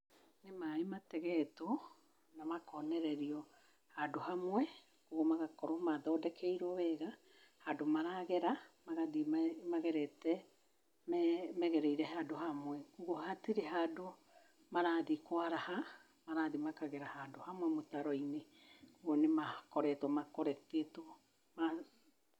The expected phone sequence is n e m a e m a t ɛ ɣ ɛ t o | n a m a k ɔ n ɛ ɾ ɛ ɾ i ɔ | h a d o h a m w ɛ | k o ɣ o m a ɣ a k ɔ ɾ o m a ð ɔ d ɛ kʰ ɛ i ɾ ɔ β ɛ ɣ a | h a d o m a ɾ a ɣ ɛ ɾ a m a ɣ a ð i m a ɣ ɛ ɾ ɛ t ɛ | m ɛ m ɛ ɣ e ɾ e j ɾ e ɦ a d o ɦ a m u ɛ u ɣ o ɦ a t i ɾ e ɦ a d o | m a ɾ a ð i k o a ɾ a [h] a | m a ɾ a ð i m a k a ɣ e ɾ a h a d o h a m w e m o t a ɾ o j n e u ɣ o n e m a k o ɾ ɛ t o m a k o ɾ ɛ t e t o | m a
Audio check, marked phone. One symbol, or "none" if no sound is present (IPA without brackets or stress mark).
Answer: h